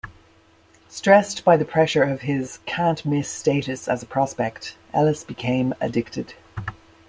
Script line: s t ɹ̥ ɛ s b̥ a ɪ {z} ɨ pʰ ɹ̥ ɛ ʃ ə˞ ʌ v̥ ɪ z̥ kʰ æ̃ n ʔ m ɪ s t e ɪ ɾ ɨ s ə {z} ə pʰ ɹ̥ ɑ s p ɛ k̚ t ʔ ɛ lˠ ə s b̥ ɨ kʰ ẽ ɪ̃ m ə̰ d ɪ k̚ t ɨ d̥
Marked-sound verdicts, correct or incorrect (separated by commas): incorrect, correct